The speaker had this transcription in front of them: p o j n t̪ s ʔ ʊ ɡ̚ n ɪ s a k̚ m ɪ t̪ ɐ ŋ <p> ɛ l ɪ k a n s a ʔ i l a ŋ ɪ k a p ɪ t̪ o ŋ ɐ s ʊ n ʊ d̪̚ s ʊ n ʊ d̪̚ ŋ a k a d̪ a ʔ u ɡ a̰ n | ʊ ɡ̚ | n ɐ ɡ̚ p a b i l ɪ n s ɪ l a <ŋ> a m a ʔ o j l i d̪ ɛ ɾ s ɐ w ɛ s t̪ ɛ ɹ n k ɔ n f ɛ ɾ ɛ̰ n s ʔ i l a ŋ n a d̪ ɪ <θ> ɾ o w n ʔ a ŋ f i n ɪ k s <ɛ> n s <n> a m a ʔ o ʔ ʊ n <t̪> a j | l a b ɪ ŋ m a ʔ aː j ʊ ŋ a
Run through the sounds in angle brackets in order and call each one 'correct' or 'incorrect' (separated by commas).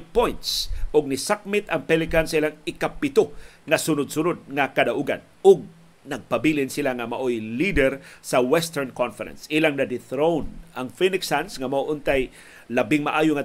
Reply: correct, correct, correct, incorrect, incorrect, correct